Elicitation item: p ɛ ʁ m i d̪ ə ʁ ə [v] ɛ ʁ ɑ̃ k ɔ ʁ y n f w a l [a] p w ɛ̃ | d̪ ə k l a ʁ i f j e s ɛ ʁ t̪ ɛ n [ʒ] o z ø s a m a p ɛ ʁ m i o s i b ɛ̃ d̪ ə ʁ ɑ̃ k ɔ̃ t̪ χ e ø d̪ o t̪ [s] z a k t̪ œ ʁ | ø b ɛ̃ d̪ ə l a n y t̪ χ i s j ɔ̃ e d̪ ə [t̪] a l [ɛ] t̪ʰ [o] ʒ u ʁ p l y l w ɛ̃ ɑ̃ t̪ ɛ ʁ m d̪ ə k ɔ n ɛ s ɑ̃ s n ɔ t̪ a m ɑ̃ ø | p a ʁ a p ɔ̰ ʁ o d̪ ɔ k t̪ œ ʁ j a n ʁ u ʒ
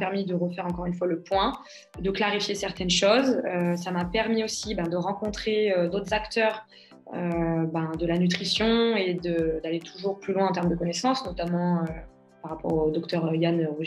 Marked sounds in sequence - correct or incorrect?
incorrect, incorrect, incorrect, incorrect, incorrect, incorrect, incorrect

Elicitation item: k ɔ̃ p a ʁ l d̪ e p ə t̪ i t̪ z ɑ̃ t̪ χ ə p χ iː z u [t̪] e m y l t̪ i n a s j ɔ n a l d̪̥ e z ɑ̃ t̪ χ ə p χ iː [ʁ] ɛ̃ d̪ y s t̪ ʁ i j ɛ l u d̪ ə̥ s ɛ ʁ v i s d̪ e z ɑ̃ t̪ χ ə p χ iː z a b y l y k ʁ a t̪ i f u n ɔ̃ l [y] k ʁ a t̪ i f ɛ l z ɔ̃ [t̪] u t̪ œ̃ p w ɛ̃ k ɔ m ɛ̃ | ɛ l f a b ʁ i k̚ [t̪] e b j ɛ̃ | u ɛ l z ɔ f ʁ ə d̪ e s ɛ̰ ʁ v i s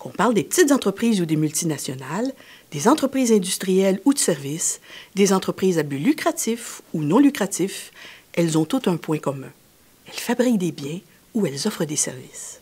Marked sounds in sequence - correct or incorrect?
incorrect, incorrect, correct, correct, incorrect

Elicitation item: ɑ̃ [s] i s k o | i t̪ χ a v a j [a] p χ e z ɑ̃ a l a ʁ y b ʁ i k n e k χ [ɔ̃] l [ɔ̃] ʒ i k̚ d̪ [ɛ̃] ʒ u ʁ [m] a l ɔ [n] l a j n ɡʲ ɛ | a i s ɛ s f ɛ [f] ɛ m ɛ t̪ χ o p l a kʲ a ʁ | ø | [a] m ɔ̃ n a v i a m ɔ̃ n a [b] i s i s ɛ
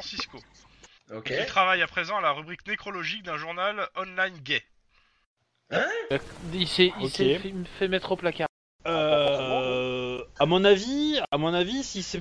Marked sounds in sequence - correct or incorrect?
correct, correct, incorrect, incorrect, correct, incorrect, correct, correct, correct, incorrect

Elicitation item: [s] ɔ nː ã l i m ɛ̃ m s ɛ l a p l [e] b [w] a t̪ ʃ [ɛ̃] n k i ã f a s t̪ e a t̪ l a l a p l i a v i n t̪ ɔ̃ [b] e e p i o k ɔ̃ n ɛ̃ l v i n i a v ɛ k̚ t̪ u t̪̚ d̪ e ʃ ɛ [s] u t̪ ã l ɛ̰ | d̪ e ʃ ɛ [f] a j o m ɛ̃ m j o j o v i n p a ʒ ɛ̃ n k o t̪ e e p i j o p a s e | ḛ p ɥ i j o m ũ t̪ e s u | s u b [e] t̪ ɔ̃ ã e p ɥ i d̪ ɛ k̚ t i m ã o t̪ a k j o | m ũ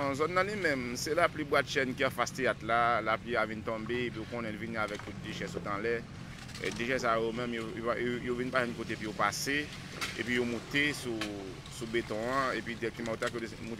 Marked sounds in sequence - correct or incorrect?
incorrect, incorrect, correct, incorrect, correct, correct, incorrect, correct

